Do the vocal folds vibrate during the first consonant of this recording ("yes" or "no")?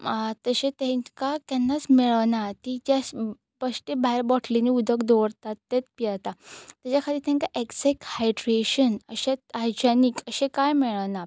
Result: no